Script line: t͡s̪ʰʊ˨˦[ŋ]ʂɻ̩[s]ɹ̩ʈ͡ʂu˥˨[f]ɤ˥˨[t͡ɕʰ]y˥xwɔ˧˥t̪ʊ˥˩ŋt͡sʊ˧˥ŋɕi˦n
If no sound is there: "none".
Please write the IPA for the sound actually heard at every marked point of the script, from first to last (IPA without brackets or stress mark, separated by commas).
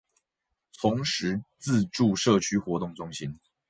ŋ, t͡s, ʂ, t͡ɕʰ